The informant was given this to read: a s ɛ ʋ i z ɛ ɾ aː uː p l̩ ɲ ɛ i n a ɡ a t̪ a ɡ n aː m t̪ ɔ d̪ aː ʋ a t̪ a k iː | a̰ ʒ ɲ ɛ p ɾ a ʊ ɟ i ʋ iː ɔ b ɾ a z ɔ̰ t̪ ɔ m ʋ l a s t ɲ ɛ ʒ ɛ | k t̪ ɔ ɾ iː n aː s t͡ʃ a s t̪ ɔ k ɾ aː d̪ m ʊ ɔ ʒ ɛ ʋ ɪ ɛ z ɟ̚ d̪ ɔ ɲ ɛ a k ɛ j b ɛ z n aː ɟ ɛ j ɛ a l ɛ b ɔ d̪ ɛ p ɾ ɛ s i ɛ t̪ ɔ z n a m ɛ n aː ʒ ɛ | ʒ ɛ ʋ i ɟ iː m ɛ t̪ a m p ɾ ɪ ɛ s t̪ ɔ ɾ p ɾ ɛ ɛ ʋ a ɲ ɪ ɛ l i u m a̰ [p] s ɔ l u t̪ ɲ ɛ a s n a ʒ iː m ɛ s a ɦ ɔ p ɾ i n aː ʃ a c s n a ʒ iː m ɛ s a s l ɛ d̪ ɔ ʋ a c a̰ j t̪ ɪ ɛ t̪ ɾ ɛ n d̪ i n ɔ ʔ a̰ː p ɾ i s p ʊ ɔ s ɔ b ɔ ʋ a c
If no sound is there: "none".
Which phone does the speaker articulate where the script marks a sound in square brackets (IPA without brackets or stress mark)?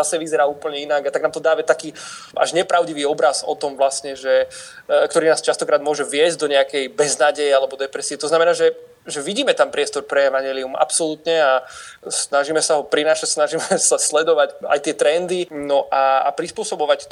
p